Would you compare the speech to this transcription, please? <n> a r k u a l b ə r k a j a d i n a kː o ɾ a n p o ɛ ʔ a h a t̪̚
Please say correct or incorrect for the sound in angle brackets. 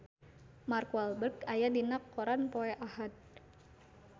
incorrect